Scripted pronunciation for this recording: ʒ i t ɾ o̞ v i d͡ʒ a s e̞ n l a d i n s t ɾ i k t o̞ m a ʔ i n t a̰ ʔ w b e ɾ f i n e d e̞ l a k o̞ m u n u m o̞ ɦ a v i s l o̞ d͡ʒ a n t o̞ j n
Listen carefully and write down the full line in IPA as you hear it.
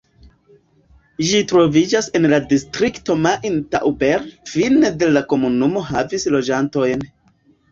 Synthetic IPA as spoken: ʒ i t ɾ o̞ v i d͡ʒ a s e̞ n l a d i s t ɾ i k t o̞ m a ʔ i n t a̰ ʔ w b e ɾ f i n e d e̞ l a k o̞ m u n u m o̞ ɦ a v i s l o̞ d͡ʒ a n t o̞ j n

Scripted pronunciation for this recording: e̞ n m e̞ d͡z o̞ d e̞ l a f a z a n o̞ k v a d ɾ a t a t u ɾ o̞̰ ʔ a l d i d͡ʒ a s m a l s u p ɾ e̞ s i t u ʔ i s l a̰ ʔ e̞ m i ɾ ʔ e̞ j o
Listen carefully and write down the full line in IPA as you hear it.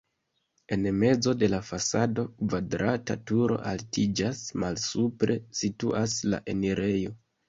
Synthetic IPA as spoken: e̞ n m e̞ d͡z o̞ d e̞ l a f a s a d o̞ k v a d ɾ a t a t u ɾ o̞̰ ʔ a l t i d͡ʒ a s m a l s u p ɾ e̞ s i t u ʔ a s l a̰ ʔ e̞ n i ɾ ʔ e̞ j o

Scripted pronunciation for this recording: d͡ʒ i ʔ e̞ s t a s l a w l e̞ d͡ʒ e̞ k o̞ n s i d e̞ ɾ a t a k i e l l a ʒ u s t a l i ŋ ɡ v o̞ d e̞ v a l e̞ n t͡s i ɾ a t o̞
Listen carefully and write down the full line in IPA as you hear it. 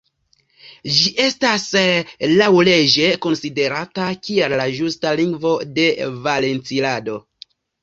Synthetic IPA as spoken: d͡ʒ i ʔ e̞ s t a s l a w l e̞ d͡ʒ e̞ k o̞ n s i d e̞ ɾ a t a k i e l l a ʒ u s t a l i ŋ ɡ v o̞ d e̞ v a l e̞ n t͡s i l a d o̞

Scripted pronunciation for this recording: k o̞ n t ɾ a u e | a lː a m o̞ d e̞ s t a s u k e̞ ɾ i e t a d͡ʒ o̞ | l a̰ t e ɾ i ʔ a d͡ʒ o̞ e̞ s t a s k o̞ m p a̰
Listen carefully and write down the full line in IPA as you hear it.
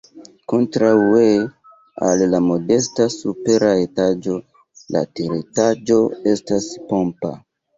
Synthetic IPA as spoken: k o̞ n t ɾ a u e | a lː a m o̞ d e̞ s t a s u p e̞ ɾ a e t a d͡ʒ o̞ | l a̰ t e ɾ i t a d͡ʒ o̞ e̞ s t a s p o̞ m p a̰

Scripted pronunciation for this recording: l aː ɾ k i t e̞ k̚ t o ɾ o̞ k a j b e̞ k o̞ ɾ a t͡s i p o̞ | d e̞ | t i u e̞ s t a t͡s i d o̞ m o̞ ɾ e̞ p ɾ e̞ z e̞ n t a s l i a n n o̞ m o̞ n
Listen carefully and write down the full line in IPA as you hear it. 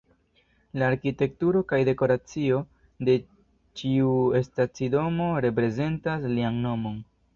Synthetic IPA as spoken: l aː ɾ k i t e̞ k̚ t u ɾ o̞ k a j d e̞ k o̞ ɾ a t͡s i o̞ | d e̞ | t͡ʃ i u e̞ s t a t͡s i d o̞ m o̞ ɾ e̞ p ɾ e̞ z e̞ n t a s l i a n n o̞ m o̞ n

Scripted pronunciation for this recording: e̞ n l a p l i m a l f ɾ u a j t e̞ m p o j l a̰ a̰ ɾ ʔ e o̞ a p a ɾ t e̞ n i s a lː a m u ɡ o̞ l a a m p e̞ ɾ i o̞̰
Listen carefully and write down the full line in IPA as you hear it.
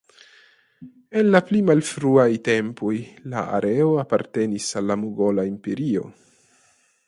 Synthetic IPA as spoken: e̞ n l a p l i m a l f ɾ u a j t e̞ m p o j l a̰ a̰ ɾ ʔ e o̞ a p a ɾ t e̞ n i s a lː a m u ɡ o̞ l a i m p e̞ ɾ i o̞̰

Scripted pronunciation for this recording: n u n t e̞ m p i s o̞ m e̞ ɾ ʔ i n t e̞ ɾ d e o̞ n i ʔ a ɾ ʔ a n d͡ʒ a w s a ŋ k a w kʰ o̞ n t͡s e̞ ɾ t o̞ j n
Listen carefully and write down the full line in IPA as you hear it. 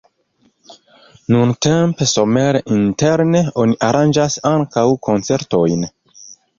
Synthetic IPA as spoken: n u n t e̞ m p e s o̞ m e̞ ɾ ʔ i n t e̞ ɾ n e o̞ n i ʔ a ɾ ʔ a n d͡ʒ a s a ŋ k a w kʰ o̞ n t͡s e̞ ɾ t o̞ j n

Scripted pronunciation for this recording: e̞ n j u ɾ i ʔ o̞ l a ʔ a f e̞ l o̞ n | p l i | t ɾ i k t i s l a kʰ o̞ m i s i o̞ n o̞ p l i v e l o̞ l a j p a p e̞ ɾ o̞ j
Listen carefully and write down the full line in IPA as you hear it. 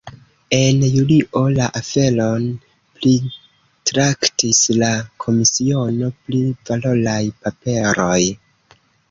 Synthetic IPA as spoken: e̞ n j u l i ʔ o̞ l a ʔ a f e̞ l o̞ n | p l i | t ɾ a k t i s l a kʰ o̞ m i s i o̞ n o̞ p l i v a l o̞ l a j p a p e̞ ɾ o̞ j

